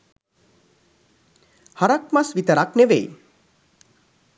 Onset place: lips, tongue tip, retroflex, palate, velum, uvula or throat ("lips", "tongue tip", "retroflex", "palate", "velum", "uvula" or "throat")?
throat